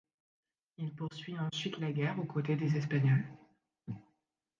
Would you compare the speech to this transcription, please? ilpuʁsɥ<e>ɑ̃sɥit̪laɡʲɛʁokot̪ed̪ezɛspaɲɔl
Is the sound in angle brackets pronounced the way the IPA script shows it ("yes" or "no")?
no